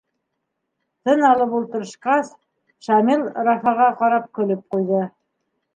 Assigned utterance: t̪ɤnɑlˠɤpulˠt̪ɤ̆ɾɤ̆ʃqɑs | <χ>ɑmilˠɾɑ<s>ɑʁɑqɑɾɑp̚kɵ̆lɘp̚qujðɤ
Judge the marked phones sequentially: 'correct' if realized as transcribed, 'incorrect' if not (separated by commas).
incorrect, incorrect